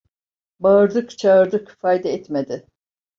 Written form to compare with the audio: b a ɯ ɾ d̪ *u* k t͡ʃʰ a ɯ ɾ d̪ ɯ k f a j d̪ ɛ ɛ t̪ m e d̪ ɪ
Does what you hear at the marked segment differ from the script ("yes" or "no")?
yes